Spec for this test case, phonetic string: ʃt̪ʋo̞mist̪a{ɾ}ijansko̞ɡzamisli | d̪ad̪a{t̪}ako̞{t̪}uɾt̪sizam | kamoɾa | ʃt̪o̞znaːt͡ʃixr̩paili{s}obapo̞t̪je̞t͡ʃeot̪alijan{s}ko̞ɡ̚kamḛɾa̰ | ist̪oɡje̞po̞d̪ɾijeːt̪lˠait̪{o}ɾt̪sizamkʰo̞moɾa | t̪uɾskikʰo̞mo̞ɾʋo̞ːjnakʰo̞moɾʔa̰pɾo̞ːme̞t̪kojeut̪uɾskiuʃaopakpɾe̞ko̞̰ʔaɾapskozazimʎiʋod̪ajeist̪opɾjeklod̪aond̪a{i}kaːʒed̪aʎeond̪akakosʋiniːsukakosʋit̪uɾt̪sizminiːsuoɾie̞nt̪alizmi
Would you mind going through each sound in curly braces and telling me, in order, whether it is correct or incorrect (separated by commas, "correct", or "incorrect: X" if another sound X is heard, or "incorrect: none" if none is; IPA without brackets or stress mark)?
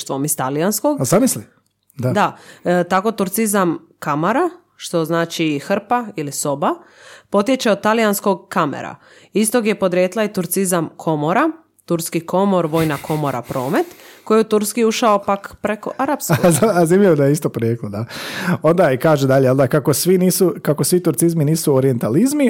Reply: incorrect: l, correct, correct, correct, correct, incorrect: u, correct